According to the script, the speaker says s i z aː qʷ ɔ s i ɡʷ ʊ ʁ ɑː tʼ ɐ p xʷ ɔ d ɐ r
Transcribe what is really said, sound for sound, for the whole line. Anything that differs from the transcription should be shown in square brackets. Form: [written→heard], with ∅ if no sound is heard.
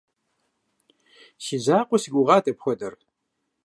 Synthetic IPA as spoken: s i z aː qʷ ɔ s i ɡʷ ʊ ʁ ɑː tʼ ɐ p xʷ ɔ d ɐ r